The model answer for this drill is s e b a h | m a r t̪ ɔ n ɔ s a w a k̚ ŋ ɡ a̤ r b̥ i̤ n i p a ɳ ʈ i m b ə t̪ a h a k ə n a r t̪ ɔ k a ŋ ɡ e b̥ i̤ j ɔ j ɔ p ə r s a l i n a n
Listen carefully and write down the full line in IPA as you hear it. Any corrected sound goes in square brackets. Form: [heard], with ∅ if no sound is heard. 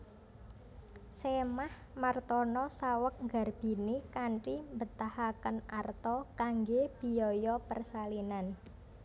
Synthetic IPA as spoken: s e [m] a h | m a r t̪ ɔ n ɔ s a w [ə] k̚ ŋ ɡ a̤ r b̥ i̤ n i [k] a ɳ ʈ i m b ə t̪ a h a k ə n a r t̪ ɔ k a ŋ ɡ e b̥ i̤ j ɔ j ɔ p ə r s a l i n a n